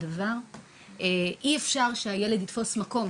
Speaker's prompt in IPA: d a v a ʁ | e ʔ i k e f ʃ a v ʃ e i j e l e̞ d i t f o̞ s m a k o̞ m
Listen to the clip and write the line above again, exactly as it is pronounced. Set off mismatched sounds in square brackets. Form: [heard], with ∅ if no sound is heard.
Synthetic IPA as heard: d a v a ʁ | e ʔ i [∅] e f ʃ a [ʁ] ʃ e [a] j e l e̞ d i t f o̞ s m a k o̞ m